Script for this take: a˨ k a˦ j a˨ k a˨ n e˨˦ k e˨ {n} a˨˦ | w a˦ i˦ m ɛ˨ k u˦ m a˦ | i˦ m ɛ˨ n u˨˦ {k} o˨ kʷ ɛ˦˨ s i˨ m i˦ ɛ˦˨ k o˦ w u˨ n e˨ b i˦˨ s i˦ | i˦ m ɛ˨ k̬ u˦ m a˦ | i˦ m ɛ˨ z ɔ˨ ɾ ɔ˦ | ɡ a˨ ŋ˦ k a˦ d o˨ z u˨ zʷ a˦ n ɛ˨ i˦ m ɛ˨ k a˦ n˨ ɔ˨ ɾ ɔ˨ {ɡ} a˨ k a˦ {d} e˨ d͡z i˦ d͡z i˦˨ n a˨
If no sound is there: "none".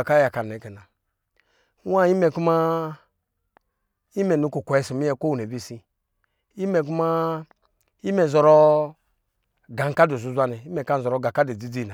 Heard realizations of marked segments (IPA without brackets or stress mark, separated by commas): n, k, ɡ, d